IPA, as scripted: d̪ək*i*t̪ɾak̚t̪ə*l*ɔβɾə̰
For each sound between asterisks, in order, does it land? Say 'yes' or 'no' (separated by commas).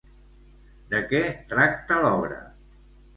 no, yes